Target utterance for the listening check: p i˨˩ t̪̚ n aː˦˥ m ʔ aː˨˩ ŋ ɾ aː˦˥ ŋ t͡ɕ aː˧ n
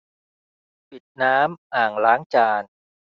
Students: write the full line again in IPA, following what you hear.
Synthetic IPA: p i˨˩ t̪̚ n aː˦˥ m ʔ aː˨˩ ŋ l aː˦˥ ŋ t͡ɕ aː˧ n